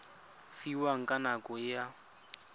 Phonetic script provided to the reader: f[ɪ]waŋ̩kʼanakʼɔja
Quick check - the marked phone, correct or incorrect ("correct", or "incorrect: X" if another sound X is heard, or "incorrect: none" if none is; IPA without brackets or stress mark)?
incorrect: i